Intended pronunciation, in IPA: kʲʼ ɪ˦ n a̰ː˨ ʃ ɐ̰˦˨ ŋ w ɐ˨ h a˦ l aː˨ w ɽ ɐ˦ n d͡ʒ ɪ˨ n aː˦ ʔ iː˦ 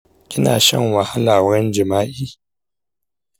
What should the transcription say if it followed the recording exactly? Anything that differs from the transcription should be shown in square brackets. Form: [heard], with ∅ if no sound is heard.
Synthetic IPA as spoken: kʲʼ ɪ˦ n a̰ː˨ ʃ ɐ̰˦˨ ŋ w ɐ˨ h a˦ l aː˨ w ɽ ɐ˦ n d͡ʒ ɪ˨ [m] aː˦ ʔ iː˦